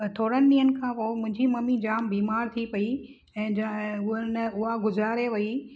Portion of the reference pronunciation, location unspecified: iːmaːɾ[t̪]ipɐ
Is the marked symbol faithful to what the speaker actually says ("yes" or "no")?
no